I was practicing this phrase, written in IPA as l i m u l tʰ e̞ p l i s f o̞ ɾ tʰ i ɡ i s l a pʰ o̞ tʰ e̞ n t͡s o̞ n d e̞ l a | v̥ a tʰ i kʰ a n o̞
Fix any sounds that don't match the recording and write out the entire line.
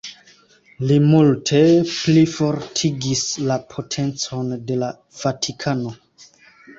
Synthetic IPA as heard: l i m u l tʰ e̞ p l i f o̞ ɾ tʰ i ɡ i s l a pʰ o̞ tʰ e̞ n t͡s o̞ n d e̞ l a | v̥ a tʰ i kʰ a n o̞